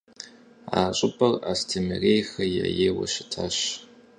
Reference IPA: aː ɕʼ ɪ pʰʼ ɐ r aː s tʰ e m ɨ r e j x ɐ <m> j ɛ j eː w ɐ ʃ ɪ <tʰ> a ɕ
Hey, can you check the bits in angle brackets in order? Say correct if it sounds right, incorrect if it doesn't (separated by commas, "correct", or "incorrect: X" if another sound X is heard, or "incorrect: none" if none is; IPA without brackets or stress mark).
incorrect: none, correct